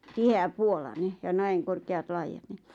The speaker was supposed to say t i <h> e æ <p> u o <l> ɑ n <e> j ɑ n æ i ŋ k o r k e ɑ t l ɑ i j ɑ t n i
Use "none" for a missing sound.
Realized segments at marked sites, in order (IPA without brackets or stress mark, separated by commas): h, p, l, e